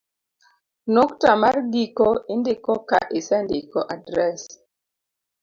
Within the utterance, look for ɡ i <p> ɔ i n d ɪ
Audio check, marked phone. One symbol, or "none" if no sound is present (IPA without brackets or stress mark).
k